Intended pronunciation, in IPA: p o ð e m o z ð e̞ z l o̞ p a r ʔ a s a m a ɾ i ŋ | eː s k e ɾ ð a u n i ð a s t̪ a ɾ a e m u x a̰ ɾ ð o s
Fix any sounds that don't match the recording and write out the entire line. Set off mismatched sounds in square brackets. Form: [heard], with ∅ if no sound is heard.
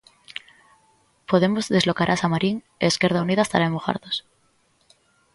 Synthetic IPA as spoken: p o ð e m o z ð e̞ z l o̞ [k] a [ɾ] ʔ a s a m a ɾ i ŋ | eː s k e ɾ ð a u n i ð a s t̪ a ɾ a e m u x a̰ ɾ ð o s